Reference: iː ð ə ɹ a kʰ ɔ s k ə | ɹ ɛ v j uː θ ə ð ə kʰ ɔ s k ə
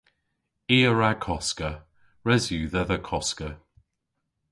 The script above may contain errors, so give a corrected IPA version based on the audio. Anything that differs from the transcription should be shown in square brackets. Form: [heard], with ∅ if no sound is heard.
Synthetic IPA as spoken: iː [∅] ə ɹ a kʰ ɔ s k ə | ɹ ɛ [z] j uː [ð] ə ð ə kʰ ɔ s k ə